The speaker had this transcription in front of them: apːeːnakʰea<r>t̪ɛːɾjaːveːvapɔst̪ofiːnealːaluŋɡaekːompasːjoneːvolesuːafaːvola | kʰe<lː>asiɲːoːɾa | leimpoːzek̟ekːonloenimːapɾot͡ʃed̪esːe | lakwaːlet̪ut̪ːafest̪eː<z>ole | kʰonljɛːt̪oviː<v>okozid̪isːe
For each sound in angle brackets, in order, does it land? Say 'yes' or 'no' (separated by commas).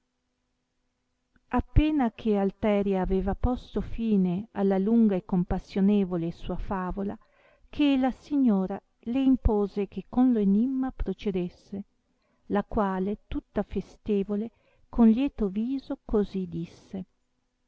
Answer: no, no, no, no